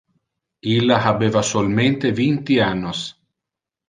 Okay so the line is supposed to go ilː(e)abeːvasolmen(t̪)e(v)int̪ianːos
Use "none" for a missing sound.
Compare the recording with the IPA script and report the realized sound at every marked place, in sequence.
a, t̪, v

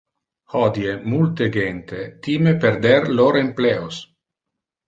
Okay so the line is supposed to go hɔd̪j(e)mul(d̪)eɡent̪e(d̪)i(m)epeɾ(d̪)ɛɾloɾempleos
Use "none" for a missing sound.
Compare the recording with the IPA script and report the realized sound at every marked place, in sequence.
e, t̪, t̪, m, d̪

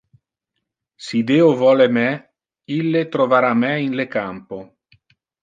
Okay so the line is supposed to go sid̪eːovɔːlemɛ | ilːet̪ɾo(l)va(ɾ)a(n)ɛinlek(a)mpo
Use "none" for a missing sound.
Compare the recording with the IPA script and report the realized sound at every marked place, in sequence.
none, ɾ, m, a

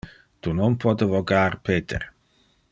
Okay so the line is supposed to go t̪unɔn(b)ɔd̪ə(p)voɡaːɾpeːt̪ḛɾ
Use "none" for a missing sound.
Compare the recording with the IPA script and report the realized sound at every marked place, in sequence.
p, none

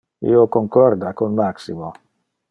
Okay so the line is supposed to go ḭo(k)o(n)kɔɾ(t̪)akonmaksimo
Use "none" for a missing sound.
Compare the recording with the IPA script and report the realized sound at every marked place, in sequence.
k, ŋ, d̪

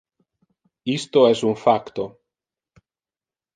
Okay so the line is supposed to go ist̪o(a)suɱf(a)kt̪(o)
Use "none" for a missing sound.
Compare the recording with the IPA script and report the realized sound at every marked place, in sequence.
ɛ, a, o

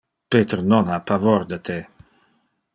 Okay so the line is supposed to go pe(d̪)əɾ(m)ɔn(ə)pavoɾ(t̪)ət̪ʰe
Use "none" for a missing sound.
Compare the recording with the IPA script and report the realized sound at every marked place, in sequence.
t̪, n, a, d̪

